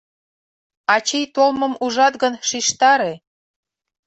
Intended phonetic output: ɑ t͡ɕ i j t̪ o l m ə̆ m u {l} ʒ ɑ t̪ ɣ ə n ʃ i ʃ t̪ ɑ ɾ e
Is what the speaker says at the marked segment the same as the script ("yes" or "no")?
no